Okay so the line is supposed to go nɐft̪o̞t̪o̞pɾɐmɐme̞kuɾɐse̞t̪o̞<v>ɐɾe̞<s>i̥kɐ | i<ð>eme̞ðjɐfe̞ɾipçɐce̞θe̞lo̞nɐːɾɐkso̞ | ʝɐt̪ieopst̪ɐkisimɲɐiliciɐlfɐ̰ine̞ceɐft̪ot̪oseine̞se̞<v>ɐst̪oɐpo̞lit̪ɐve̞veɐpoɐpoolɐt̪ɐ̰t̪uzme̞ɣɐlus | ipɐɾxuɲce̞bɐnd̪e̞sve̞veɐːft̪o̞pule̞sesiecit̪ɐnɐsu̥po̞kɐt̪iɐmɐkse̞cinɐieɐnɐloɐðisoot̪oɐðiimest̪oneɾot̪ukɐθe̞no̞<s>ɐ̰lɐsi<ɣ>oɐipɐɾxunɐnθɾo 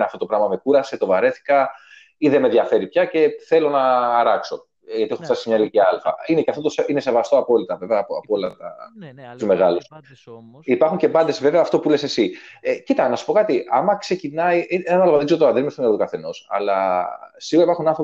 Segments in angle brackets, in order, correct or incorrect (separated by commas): correct, incorrect, correct, correct, correct, correct